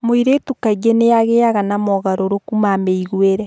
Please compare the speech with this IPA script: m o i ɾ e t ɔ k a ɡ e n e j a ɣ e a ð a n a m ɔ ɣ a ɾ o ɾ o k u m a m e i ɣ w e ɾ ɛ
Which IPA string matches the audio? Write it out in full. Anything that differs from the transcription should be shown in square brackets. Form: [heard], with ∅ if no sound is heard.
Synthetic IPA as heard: m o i ɾ e t [u] k a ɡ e n e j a ɣ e a [ɣ] a n a m ɔ ɣ a ɾ o ɾ o k u m a m e i ɣ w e ɾ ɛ

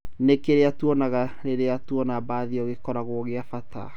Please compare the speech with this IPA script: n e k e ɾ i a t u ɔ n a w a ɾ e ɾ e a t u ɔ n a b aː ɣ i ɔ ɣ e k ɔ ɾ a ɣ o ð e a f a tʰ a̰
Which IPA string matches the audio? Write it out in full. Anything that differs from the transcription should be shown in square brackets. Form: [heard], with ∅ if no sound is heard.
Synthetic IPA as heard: n e k e ɾ [e] a t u ɔ n a [ɣ] a ɾ e ɾ e a t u ɔ n a b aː [ð] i ɔ ɣ e k ɔ ɾ a ɣ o [ɣ] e a f a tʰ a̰

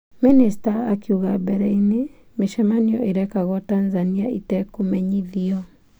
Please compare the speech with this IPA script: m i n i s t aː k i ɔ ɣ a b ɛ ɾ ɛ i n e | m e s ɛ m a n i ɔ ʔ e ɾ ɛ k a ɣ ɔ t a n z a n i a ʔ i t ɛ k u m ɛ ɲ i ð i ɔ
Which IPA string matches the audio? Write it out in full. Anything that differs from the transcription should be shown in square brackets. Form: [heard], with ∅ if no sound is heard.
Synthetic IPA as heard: m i n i s t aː k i [u] ɣ a b ɛ ɾ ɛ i n e | m e [ʃ] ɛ m a n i ɔ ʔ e ɾ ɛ k a ɣ ɔ t a n z a n i a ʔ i t ɛ k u m ɛ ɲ i ð i ɔ

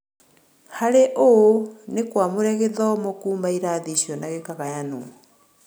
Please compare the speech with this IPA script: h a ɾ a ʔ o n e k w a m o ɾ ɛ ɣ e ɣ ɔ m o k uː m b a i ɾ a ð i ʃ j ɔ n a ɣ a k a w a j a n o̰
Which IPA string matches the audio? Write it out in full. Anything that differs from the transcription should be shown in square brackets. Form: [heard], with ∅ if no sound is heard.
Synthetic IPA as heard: h a ɾ [e] ʔ o n e k w a m o ɾ ɛ ɣ e [ð] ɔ m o k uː m b a i ɾ a ð i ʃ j ɔ n a ɣ [e] k a [ɣ] a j a n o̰

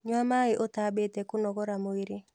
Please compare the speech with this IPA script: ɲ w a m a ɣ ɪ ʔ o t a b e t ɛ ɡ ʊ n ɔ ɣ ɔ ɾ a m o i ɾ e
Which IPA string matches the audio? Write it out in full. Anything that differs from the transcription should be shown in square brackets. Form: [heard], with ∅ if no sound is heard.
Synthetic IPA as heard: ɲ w a m a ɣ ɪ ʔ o t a b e t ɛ [k] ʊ n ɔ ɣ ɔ ɾ a m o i ɾ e

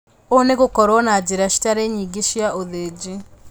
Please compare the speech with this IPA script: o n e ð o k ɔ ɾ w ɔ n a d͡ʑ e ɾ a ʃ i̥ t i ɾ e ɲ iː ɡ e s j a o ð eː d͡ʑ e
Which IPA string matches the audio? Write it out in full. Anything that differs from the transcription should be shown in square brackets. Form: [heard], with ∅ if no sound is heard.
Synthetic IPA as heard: o n e [ɣ] o k ɔ ɾ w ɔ n a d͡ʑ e ɾ a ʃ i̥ t [a] ɾ e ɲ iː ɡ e [ʃ] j a o ð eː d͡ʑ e

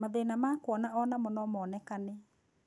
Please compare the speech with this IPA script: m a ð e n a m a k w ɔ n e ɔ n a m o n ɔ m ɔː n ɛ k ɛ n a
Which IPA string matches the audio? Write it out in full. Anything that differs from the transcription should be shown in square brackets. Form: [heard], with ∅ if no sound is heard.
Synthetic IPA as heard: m a ð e n a m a k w ɔ n [a] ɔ n a m [ɔ] n ɔ m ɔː n ɛ k [a] n [e]

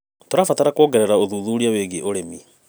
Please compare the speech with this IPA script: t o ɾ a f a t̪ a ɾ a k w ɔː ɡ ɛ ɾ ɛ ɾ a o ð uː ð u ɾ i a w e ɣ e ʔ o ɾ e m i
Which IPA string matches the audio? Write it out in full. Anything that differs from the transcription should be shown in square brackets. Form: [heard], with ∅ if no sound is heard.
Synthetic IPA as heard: t o ɾ a f a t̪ a ɾ a k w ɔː ɡ ɛ ɾ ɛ ɾ a o ð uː ð u ɾ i a w e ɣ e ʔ o ɾ e m i

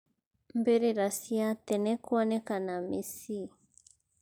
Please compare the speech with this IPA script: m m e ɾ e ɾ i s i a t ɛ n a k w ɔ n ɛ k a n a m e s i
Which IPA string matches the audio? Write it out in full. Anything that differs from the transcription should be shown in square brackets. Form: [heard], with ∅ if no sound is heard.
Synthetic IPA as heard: m [b] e ɾ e ɾ [a] s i a t ɛ n [ɛ] k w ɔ n ɛ k a n a m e s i

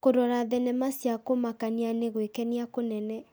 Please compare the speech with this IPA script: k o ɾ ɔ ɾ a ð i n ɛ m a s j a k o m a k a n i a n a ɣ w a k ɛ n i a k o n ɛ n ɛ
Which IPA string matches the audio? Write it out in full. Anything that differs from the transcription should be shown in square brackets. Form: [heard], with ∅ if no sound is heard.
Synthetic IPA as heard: k o ɾ ɔ ɾ a ð [ɛ] n ɛ m a s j a k o m a k a n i a n [e] ɣ w [e] k ɛ n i a k o n ɛ n ɛ

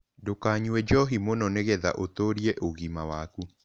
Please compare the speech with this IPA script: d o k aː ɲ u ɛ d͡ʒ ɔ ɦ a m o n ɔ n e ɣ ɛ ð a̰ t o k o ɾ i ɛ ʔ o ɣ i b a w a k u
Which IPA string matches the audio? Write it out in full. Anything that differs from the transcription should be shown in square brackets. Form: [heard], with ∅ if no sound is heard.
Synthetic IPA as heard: d o k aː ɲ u ɛ d͡ʒ ɔ ɦ [i] m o n ɔ n e ɣ ɛ ð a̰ [ʔ] o [t] o ɾ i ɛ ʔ o ɣ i [m] a w a k u

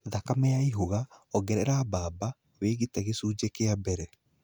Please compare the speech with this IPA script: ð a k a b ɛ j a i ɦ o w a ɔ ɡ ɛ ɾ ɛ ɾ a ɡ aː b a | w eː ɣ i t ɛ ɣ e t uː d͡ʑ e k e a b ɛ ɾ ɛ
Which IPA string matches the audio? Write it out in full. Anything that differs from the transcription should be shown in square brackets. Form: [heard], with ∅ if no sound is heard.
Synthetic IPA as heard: ð a k a [m] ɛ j a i ɦ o [ɣ] a ɔ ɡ ɛ ɾ ɛ ɾ a [b] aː b a | w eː ɣ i t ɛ ɣ e [s] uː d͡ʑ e k e a b ɛ ɾ ɛ

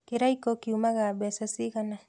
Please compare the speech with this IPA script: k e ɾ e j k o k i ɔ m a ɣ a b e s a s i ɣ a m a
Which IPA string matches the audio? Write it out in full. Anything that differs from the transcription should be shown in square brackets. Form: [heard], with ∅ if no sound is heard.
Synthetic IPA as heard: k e ɾ [a] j k o k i [u] m a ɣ a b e s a s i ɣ a [n] a

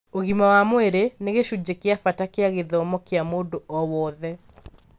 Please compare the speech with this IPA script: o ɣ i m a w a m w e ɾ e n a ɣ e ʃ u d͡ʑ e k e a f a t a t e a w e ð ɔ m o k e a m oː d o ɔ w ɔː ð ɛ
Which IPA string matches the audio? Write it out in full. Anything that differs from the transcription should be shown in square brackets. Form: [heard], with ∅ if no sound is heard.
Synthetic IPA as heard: o ɣ i m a w a m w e ɾ e n [e] ɣ e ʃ u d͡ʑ e k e a f a t a [k] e a [ɣ] e ð ɔ m [ɔ] k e a m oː d o ɔ w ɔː ð ɛ

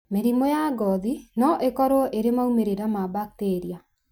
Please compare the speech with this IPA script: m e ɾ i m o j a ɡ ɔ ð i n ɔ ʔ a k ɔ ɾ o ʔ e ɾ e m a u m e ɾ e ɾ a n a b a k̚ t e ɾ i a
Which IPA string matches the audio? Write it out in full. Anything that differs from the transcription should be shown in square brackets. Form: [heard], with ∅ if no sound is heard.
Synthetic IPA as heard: m e ɾ i m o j a ɡ ɔ ð i n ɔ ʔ [e] k ɔ ɾ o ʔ e ɾ e m a u m e ɾ e ɾ a [m] a b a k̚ t e ɾ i a

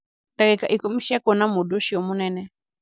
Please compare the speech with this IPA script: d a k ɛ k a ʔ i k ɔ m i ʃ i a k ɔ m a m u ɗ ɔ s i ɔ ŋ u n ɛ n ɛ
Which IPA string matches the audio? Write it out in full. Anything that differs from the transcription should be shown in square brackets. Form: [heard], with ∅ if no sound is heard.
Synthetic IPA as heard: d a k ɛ k a ʔ i k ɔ m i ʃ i a k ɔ [n] a m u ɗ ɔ [ʃ] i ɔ [m] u n ɛ n ɛ

